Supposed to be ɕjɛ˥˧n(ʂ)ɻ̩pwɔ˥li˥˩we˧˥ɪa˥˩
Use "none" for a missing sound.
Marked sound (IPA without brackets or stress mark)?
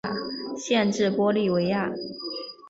ʈ͡ʂ